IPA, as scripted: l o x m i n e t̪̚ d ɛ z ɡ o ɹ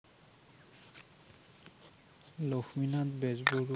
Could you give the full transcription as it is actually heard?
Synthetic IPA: l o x m i n a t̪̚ b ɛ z b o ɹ